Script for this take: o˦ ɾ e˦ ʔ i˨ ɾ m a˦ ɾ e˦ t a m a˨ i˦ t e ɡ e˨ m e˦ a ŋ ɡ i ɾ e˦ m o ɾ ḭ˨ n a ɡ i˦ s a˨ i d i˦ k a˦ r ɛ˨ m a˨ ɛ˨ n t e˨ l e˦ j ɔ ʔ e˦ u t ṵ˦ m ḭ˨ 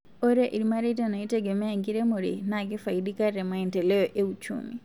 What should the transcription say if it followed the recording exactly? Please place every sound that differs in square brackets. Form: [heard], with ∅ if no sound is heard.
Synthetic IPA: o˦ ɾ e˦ ʔ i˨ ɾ m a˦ ɾ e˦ t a [n] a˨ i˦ t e ɡ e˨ m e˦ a ŋ ɡ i ɾ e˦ m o ɾ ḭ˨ n a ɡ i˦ [f] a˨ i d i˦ k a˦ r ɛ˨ m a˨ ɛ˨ n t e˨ l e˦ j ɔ ʔ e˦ u [t͡ʃ] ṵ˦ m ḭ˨